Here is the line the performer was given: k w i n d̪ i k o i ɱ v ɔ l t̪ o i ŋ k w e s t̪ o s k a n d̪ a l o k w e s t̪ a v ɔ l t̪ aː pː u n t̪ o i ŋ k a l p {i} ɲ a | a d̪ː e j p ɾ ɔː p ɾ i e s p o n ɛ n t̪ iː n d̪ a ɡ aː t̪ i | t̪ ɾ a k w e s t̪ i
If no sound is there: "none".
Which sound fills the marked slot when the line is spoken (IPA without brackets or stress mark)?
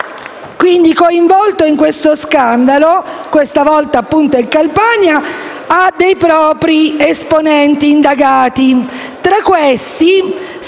a